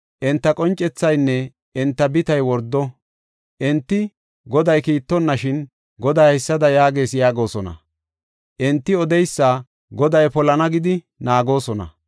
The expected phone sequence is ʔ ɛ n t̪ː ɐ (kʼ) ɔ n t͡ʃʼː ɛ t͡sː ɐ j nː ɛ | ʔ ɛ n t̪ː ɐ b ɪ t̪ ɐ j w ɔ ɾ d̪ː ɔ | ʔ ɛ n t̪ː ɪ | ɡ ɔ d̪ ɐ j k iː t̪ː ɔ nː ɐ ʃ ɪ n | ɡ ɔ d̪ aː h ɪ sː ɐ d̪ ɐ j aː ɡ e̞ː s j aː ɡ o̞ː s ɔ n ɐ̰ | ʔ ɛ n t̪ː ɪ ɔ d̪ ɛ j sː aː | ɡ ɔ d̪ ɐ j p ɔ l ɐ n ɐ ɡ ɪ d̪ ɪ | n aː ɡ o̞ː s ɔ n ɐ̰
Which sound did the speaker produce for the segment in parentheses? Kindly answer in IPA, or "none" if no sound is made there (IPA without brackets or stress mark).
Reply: kʼ